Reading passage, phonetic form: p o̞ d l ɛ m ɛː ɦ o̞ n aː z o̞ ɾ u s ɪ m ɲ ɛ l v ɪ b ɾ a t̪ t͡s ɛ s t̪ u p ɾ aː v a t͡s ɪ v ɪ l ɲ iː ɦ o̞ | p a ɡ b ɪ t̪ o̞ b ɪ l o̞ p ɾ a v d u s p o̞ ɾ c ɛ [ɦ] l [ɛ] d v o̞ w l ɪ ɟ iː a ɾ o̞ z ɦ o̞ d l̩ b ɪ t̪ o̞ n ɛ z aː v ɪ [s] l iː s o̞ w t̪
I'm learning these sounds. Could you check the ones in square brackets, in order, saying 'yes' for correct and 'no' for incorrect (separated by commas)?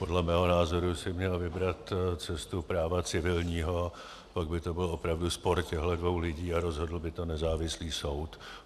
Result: yes, yes, yes